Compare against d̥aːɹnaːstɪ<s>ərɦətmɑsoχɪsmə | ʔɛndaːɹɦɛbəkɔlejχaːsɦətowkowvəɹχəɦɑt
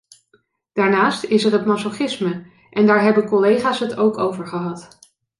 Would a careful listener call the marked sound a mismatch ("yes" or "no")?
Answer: no